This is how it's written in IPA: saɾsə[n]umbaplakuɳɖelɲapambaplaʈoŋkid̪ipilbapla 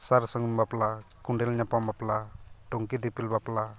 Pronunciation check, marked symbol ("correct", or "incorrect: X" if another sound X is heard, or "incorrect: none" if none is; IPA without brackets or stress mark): incorrect: ŋ